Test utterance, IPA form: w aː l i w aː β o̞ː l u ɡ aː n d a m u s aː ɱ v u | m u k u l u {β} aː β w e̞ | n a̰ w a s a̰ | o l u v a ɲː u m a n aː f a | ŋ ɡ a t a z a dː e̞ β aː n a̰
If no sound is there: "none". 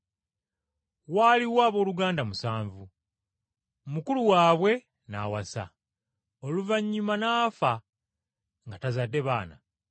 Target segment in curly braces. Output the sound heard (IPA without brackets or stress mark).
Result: w